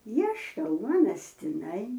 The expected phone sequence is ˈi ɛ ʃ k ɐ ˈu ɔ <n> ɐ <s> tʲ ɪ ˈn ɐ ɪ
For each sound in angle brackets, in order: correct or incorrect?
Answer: correct, correct

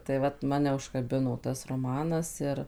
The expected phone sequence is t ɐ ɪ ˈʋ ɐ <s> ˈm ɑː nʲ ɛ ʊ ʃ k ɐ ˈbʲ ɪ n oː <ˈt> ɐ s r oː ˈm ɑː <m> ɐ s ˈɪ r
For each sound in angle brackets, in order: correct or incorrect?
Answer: incorrect, correct, incorrect

